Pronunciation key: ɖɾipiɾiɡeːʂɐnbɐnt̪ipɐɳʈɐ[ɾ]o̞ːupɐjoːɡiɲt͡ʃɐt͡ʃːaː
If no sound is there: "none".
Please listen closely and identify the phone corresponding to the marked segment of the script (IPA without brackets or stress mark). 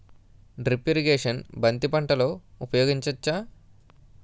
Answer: l